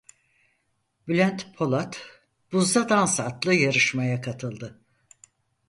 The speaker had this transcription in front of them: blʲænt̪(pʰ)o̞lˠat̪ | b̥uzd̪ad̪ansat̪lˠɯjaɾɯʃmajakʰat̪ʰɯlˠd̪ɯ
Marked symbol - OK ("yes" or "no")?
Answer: yes